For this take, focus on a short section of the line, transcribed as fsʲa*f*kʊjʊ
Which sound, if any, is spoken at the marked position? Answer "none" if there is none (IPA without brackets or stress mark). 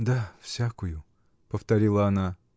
none